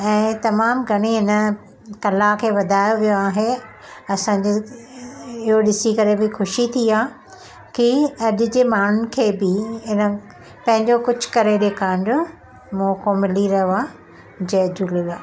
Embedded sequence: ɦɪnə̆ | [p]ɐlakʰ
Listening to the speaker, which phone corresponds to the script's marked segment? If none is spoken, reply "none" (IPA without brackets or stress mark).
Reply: k